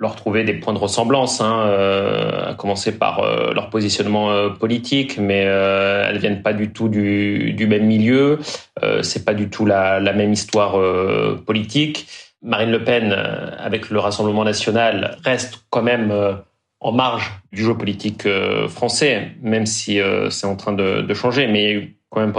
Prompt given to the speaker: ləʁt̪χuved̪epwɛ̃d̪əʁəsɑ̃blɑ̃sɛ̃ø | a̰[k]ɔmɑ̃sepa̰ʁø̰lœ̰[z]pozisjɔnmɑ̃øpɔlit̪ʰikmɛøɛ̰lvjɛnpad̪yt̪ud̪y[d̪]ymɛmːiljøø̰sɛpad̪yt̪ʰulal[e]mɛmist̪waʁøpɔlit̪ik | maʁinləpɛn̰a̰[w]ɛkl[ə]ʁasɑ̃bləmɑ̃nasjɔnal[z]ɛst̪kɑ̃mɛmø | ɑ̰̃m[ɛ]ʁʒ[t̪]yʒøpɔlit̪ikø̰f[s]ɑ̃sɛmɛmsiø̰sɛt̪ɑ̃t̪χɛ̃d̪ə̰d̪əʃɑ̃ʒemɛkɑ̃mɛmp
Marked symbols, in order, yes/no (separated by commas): yes, no, yes, no, no, yes, no, no, no, no